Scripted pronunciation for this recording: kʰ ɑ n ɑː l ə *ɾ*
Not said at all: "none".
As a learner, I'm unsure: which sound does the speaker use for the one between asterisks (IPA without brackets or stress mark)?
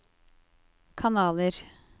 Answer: ɾ